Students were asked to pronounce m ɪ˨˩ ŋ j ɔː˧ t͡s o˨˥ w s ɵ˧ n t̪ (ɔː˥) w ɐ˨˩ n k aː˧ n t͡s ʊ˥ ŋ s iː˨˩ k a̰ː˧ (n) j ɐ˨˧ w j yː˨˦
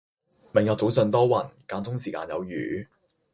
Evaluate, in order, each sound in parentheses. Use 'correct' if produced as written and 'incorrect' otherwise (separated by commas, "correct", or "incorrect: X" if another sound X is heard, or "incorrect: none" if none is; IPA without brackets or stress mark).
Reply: correct, correct